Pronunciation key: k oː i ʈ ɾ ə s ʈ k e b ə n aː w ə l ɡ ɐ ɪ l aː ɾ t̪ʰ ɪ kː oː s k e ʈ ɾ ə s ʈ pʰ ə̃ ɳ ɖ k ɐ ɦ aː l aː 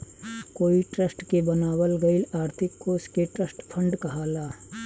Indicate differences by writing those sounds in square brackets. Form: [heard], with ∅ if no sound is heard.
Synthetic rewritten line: k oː i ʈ ɾ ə s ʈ k e b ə n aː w ə l ɡ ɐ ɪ l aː ɾ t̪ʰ ɪ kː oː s k e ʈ ɾ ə s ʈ pʰ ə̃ ɳ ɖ k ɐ ɦ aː l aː